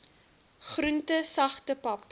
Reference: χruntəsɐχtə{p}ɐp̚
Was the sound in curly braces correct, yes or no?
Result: yes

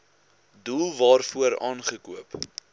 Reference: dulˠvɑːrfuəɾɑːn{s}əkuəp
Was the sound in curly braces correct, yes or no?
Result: no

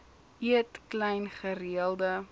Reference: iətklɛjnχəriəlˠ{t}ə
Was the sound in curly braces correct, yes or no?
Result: no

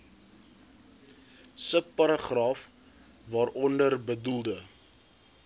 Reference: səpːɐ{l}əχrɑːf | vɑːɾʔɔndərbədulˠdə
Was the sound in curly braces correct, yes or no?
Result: no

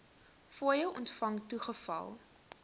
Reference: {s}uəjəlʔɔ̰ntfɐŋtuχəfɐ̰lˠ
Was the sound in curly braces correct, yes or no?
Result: no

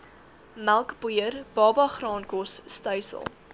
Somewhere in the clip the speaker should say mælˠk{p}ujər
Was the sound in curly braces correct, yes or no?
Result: no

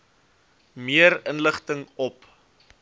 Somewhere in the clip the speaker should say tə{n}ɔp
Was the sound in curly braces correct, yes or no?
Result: no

